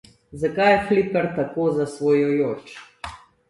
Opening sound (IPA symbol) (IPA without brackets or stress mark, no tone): z